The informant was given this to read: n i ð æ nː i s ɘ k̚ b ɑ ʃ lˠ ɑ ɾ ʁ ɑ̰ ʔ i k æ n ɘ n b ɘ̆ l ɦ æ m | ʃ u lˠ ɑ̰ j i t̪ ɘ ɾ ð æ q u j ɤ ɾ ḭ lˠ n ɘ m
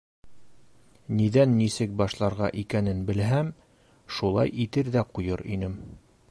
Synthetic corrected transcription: n i ð æ nː i s ɘ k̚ b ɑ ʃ lˠ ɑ ɾ ʁ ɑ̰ ʔ i k æ n ɘ n b ɘ̆ l ɦ æ m | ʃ u lˠ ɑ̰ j i t̪ ɘ ɾ ð æ q u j ɤ ɾ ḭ n ɘ m

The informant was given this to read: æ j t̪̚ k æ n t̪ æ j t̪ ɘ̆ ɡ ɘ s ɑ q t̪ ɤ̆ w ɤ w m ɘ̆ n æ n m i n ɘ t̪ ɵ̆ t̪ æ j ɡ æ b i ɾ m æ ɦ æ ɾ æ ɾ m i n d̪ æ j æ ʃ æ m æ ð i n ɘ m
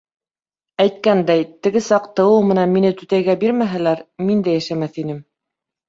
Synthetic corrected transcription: æ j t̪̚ k æ n d̪ æ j t̪ ɘ̆ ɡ ɘ s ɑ q t̪ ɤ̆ w ɤ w m ɘ̆ n æ n m i n ɘ t̪ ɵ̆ t̪ æ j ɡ æ b i ɾ m æ ɦ æ l æ ɾ m i n d̪ æ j æ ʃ æ m æ θ i n ɘ m

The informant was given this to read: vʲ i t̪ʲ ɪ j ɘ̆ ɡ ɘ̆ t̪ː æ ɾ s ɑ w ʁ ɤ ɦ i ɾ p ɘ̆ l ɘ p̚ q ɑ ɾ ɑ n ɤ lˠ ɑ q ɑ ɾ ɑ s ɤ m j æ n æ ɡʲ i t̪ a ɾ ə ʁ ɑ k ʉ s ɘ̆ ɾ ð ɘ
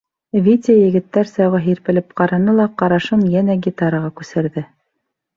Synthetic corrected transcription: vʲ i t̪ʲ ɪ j ɘ̆ ɡ ɘ̆ t̪ː æ ɾ s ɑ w ʁ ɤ ɦ i ɾ p ɘ̆ l ɘ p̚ q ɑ ɾ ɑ n ɤ lˠ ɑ q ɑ ɾ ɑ ʃ ɤ m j æ n æ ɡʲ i t̪ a ɾ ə ʁ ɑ k ʉ s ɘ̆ ɾ ð ɘ

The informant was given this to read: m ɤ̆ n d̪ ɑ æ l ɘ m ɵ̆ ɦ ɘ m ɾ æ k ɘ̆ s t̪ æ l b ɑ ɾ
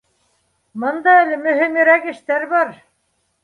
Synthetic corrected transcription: m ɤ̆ n d̪ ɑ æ l ɘ m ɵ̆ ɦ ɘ m ɾ æ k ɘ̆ ʃ t̪ æ ɾ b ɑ ɾ

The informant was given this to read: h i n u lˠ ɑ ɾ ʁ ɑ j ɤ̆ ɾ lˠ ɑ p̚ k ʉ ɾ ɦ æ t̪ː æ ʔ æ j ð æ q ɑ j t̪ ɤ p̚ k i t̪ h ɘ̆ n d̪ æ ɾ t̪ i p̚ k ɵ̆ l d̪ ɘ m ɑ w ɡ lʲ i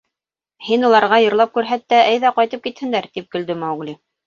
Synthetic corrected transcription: h i n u lˠ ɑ ɾ ʁ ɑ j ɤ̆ ɾ lˠ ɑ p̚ k ʉ ɾ ɦ æ t̪ː æ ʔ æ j ð æ q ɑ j t̪ ɤ p̚ k i t̪ h ɘ̆ n d̪ æ ɾ t̪ i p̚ k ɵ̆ l d̪ ɘ m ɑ w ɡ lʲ i

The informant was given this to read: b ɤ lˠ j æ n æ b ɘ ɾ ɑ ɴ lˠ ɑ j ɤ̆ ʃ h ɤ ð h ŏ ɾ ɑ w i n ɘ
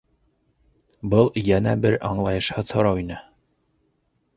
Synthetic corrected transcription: b ɤ lˠ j æ n æ b ɘ ɾ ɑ ɴ lˠ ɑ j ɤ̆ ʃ h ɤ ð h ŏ ɾ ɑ w i n ɘ

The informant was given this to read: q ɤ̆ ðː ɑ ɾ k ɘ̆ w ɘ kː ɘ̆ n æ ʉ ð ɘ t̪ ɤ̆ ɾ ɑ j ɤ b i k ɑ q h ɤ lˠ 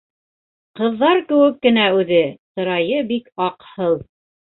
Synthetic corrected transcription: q ɤ̆ ðː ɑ ɾ k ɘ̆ w ɘ kː ɘ̆ n æ ʉ ð ɘ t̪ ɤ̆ ɾ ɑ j ɤ b i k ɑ q h ɤ lˠ

